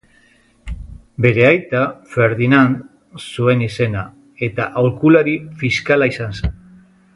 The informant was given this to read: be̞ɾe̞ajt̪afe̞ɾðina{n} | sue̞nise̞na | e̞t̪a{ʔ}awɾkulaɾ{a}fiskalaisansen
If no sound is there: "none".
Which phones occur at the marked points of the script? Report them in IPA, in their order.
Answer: n, ʔ, i

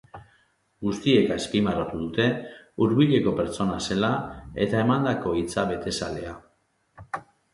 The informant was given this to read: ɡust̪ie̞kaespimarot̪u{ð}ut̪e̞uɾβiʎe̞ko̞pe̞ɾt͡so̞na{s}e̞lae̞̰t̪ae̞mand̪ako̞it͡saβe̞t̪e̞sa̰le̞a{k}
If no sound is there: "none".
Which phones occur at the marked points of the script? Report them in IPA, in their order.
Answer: ð, s, none

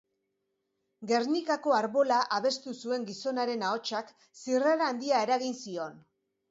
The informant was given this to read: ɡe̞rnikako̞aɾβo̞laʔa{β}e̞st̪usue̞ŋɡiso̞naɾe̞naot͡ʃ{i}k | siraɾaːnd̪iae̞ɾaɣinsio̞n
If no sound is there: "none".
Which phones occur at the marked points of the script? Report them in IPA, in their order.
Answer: β, a

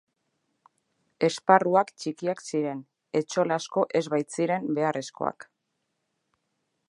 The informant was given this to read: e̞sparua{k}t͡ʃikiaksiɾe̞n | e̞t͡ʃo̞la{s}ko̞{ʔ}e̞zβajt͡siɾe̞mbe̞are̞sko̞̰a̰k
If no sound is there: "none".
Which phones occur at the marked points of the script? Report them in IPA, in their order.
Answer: k, s, ʔ

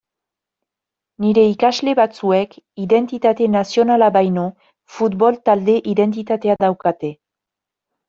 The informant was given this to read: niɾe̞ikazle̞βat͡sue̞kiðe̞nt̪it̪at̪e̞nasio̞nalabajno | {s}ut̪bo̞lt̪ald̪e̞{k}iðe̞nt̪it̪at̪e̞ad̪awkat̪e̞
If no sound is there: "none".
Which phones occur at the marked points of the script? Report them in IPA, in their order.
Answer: f, ʔ

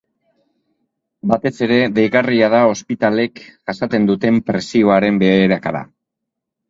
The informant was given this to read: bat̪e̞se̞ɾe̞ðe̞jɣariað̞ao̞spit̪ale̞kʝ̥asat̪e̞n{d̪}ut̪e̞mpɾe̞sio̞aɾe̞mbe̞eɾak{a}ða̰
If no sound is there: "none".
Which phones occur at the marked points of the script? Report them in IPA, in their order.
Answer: d̪, a

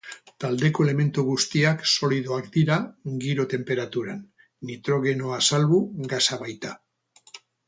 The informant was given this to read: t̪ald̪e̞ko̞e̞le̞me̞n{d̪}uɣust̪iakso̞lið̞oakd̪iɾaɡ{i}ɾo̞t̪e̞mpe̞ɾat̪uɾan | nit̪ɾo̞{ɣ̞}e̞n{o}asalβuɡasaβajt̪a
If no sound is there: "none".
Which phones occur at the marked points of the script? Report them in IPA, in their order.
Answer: t̪, i, ɣ̞, o

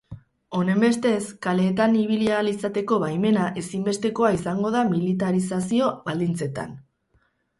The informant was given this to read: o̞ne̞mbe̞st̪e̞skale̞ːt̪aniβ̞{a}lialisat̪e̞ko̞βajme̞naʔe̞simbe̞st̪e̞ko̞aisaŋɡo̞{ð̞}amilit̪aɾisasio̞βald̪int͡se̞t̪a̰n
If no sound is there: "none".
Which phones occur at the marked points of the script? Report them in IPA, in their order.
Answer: i, ð̞

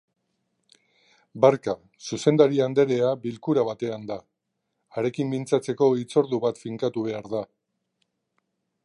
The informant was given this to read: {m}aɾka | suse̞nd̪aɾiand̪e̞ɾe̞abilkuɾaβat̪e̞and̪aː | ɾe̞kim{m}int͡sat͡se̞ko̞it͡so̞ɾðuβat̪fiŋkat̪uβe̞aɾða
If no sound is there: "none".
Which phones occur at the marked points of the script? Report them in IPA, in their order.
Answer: b, b

